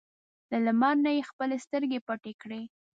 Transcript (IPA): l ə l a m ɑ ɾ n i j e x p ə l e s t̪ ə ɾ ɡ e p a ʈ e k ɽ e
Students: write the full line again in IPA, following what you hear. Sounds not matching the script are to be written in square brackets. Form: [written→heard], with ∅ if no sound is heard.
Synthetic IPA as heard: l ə l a m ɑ ɾ n [i→a] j e x p ə l e s t̪ ə ɾ ɡ e p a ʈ e k ɽ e